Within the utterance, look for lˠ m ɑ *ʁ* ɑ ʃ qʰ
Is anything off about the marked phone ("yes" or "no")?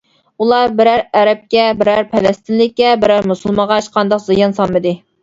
no